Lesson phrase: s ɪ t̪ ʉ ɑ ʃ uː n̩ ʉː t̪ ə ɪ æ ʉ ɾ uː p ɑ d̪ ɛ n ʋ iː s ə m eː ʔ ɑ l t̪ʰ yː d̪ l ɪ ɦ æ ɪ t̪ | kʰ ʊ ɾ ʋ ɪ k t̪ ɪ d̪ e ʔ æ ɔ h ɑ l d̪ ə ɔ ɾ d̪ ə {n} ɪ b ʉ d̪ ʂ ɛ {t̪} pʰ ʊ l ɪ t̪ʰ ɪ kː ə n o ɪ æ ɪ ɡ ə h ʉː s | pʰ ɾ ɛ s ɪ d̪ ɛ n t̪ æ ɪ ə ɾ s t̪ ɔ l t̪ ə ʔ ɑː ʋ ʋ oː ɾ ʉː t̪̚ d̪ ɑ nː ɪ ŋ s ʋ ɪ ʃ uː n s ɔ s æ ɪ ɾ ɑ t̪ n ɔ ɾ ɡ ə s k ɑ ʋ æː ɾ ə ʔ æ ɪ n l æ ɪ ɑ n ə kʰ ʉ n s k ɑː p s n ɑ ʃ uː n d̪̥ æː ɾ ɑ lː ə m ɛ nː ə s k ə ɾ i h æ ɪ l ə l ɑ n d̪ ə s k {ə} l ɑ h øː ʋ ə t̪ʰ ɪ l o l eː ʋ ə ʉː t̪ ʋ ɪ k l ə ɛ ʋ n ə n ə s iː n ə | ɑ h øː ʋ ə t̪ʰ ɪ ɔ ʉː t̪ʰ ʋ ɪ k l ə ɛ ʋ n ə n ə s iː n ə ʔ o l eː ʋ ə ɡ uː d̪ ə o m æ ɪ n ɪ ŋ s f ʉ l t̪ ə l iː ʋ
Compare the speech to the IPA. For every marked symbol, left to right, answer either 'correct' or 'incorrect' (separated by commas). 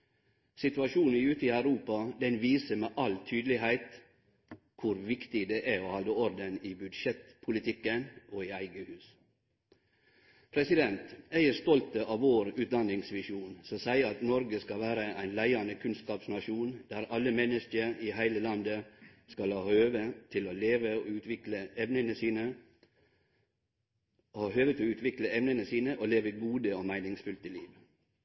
correct, correct, incorrect